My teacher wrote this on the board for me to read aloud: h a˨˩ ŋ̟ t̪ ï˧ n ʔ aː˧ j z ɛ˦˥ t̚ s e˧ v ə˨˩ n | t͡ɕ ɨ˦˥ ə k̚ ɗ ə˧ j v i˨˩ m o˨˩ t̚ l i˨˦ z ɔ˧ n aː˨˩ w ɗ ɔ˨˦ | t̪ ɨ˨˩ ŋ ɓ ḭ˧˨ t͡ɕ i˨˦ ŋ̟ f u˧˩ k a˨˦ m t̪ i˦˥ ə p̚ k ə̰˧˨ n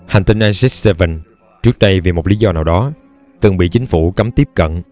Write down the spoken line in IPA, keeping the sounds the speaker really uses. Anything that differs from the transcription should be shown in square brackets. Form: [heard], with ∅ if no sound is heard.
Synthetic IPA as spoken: h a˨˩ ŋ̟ t̪ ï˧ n ʔ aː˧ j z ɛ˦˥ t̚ s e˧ v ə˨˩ n | t͡ɕ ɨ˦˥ ə k̚ ɗ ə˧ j v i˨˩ m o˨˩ t̚ l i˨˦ z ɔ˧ n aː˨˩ w ɗ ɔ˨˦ | t̪ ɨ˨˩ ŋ ɓ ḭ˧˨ t͡ɕ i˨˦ ŋ̟ f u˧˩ k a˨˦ m t̪ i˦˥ ə p̚ k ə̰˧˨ n